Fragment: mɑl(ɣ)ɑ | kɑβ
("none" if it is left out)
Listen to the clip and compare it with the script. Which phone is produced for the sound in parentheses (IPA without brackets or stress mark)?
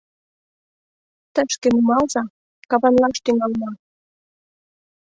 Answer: z